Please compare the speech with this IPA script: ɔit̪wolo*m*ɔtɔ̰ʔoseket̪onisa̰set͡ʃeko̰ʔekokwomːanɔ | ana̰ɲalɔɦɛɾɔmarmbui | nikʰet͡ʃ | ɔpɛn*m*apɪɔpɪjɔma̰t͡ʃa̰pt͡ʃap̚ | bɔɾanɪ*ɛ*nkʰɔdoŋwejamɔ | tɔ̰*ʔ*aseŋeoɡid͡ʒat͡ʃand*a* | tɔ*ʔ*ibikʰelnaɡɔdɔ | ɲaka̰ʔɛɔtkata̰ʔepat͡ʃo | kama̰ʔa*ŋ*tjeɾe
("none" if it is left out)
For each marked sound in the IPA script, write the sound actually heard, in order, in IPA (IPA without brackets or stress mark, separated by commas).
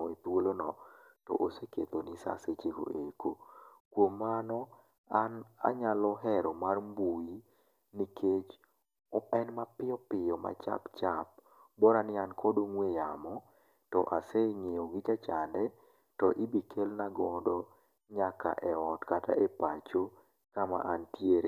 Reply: n, m, a, ʔ, ɛ, ʔ, n